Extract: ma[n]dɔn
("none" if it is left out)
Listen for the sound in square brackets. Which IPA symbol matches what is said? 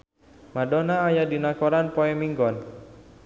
none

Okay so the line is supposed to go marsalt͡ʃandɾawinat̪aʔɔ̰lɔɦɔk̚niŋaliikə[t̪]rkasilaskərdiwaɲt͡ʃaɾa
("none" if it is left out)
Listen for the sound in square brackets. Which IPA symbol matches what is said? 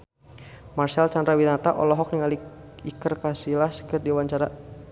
none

